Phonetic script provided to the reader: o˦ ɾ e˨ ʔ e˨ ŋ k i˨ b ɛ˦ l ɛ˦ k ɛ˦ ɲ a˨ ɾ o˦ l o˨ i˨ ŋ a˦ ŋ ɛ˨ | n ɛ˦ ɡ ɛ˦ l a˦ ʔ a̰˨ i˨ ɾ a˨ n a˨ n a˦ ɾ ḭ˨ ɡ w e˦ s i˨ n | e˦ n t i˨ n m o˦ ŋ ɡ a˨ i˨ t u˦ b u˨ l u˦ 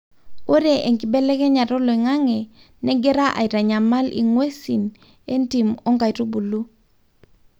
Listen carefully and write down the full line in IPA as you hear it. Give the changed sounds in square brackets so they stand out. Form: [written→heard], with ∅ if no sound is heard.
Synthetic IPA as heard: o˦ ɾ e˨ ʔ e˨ ŋ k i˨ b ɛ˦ l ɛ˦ k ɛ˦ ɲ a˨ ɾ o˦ l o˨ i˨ ŋ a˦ ŋ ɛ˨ | n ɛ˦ ɡ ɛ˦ [l→ɾ] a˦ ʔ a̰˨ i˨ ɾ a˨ [n→ɲ] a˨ [n→m] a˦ [ɾ→l] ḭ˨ [ɡ→ŋ] w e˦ s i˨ n | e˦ n t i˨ [n→∅] m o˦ ŋ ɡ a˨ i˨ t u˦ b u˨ l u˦

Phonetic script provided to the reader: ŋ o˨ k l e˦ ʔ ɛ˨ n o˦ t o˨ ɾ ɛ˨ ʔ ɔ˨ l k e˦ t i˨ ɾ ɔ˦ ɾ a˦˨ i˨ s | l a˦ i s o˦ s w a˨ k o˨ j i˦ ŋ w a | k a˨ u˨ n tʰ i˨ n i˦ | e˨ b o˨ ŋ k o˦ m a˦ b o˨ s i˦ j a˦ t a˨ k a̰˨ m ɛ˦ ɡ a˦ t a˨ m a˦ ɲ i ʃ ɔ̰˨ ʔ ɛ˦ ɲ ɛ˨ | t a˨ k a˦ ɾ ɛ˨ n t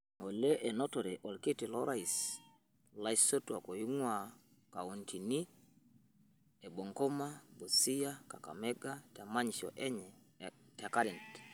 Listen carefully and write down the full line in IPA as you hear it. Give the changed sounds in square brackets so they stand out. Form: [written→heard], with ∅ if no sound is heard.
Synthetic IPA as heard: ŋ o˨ [k→∅] l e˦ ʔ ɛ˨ n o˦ t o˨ ɾ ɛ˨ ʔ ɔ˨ l k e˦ t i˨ [ɾ→l] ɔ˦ ɾ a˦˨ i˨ s | l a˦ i s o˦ [s→t] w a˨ k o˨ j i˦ ŋ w a | k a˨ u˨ n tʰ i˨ n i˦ | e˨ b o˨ ŋ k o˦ m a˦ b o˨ s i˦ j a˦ [t→k] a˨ k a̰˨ m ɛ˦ ɡ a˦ t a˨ m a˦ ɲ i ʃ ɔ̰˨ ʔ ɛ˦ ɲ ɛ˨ | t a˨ k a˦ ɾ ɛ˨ n t

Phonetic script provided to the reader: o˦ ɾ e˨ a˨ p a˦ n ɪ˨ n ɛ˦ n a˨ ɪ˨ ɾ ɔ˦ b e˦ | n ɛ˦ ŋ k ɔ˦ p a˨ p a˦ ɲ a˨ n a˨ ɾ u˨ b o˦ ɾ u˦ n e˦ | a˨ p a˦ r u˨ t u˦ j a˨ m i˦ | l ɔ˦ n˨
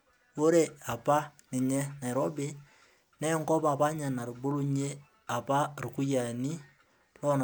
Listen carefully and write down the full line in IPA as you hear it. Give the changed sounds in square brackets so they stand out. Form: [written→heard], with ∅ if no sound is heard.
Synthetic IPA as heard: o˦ ɾ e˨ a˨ p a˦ n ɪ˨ [n→ɲ] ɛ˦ n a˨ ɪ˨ ɾ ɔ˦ b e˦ | n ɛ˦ ŋ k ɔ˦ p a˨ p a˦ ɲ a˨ n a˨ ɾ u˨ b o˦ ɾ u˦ [n→ɲ] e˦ | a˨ p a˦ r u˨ [t→k] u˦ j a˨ [m→n] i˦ | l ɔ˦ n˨

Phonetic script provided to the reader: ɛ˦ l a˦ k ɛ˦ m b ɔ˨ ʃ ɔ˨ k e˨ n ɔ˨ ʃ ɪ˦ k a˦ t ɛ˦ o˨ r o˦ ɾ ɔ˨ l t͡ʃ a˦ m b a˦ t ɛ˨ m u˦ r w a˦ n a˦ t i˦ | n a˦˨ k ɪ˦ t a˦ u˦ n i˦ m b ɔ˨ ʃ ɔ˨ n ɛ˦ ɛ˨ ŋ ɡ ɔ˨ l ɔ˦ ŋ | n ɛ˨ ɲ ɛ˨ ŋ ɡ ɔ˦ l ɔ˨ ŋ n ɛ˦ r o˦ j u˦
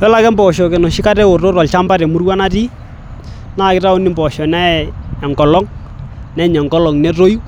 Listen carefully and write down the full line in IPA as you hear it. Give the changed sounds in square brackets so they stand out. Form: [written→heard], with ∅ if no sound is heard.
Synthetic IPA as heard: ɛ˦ l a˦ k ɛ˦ m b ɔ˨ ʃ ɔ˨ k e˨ n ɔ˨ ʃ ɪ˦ k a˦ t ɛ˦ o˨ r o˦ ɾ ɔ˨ l t͡ʃ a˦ m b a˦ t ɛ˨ m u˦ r w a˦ n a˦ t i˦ | n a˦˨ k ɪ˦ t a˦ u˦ n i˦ m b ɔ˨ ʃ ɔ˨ n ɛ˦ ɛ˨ ŋ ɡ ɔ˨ l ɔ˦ ŋ | n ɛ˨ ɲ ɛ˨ ŋ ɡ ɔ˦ l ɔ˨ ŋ n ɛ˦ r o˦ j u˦

